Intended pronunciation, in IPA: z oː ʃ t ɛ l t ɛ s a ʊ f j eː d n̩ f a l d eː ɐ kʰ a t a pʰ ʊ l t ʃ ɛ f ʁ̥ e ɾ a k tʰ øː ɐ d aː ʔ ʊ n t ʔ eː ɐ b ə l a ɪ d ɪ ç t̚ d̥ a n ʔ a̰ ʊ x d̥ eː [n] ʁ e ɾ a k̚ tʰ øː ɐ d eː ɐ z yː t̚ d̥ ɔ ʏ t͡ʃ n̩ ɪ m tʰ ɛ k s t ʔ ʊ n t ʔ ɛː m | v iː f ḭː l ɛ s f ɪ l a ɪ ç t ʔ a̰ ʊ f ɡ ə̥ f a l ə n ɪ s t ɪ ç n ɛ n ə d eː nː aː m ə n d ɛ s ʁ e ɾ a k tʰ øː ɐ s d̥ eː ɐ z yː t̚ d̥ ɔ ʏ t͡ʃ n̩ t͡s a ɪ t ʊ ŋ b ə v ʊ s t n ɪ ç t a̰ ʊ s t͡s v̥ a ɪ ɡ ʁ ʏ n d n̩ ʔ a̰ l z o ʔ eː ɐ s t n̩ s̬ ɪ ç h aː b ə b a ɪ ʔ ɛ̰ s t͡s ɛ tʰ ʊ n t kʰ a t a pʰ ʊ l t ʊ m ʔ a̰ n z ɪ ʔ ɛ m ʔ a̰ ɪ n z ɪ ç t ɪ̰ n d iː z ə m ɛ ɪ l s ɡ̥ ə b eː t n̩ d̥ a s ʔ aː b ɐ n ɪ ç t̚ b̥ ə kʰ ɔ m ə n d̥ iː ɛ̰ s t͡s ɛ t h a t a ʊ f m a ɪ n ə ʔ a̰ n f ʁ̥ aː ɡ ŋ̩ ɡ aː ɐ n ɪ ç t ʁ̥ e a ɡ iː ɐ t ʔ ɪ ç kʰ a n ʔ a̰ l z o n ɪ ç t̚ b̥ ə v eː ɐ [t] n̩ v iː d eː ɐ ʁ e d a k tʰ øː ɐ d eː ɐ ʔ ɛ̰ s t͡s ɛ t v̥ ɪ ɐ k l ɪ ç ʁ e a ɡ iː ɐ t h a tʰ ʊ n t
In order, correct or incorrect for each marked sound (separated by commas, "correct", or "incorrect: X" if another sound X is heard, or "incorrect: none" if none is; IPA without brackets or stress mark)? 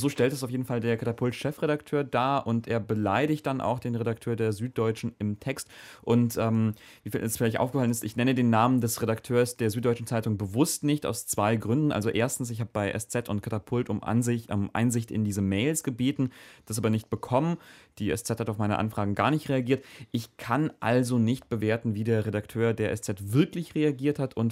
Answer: correct, correct